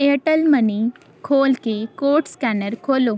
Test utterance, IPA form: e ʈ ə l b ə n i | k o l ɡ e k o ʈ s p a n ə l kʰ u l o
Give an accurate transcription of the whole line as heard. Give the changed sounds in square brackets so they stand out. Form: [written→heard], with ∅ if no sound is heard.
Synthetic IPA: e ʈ ə l [b→m] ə n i | [k→kʰ] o l [ɡ→k] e k o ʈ s [p→k] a n ə [l→ɾ] kʰ [u→o] l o